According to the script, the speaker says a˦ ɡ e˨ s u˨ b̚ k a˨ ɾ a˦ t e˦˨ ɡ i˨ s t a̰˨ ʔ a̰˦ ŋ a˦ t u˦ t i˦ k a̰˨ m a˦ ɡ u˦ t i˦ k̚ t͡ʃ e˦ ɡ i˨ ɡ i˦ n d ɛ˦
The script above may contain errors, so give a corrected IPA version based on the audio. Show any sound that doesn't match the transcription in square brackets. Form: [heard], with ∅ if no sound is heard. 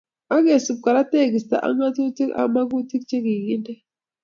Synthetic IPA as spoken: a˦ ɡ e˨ s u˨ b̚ k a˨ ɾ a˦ t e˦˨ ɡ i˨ s t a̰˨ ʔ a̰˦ ŋ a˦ t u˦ t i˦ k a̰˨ m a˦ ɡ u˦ t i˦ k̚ t͡ʃ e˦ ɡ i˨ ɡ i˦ n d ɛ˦